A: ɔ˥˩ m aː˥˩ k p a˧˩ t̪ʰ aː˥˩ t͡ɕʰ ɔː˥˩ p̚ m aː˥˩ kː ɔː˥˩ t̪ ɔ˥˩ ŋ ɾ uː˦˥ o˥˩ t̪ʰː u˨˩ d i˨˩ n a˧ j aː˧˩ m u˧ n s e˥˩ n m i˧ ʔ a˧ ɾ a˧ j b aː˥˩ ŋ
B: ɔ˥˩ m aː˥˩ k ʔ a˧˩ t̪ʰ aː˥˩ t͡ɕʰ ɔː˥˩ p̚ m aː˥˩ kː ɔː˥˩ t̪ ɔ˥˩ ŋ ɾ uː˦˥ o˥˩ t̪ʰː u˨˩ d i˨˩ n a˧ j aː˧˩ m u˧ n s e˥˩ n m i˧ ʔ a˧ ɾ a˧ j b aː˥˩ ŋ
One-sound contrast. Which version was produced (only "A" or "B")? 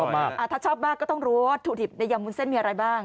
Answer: B